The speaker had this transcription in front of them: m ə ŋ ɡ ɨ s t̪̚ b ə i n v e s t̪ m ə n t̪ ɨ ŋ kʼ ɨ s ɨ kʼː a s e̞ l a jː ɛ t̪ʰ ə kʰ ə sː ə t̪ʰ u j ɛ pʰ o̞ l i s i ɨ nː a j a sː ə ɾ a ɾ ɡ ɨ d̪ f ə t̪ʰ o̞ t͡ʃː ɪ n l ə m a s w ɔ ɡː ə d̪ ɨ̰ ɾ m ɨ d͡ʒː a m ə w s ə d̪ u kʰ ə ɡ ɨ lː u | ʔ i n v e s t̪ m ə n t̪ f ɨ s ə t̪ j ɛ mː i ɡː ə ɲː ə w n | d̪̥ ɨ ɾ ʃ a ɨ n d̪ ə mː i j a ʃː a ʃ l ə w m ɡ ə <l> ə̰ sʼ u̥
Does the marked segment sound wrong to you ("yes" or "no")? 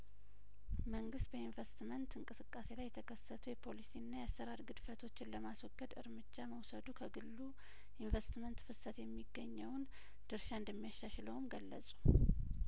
yes